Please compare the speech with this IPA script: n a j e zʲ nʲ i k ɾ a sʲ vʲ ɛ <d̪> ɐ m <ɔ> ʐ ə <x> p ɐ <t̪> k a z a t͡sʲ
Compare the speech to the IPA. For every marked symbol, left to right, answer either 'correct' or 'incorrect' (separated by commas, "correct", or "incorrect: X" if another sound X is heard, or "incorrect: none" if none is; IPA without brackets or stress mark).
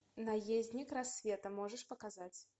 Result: incorrect: t̪, correct, incorrect: ʂ, incorrect: none